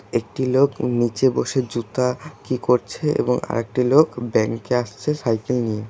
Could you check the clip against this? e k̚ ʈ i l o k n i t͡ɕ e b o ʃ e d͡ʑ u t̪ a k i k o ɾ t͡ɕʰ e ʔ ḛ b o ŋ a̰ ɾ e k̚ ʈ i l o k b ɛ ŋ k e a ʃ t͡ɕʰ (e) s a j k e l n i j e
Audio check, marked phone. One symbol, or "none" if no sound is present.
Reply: e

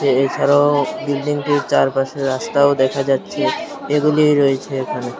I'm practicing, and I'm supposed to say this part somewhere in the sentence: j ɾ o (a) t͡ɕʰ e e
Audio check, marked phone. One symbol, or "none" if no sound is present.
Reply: e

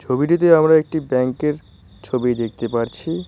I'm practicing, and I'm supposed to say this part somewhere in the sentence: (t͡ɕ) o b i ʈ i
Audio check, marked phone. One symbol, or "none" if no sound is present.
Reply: t͡ɕʰ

